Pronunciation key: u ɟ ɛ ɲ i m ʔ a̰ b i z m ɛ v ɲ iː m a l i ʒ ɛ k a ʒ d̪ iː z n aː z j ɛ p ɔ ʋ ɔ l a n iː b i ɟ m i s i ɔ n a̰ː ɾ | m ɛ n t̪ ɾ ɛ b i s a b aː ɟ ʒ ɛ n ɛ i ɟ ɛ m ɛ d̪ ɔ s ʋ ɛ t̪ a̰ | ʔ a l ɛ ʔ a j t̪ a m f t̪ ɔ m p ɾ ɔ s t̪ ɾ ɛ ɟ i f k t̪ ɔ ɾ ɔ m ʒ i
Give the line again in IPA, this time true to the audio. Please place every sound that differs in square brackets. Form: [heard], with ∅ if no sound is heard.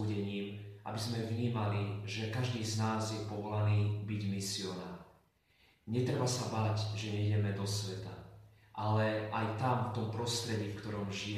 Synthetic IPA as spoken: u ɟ ɛ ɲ [iː] m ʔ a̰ b i z m ɛ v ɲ iː m a l i ʒ ɛ k a ʒ d̪ iː z n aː z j ɛ p ɔ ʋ ɔ l a n iː b i ɟ m i s i ɔ n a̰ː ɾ | [ɲ] ɛ [∅] t̪ ɾ ɛ b [a] s a b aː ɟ ʒ ɛ [ɲ] ɛ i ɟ ɛ m ɛ d̪ ɔ s ʋ ɛ t̪ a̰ | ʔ a l ɛ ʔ a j t̪ a m f t̪ ɔ m p ɾ ɔ s t̪ ɾ ɛ ɟ i f k t̪ ɔ ɾ ɔ m ʒ i